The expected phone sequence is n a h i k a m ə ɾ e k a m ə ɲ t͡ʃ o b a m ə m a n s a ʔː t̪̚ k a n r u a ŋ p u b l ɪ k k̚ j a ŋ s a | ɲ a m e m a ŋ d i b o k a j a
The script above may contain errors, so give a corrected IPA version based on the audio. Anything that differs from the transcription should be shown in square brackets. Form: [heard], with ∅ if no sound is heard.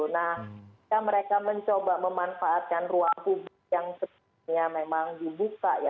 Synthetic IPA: n a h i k a m ə ɾ e k a m ə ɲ t͡ʃ o b a m ə m a n [f] a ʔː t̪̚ k a n r u a ŋ p u b l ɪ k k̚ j a ŋ s [ə] | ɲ a m e m a ŋ d i b [u] k a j a